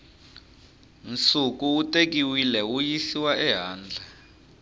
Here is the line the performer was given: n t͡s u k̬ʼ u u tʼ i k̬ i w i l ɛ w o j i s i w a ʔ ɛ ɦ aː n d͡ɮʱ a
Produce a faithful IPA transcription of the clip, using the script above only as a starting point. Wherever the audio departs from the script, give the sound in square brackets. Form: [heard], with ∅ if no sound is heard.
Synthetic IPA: n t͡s u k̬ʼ u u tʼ [e] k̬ i w i l ɛ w [u] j i s i w a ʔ ɛ ɦ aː n d͡ɮʱ a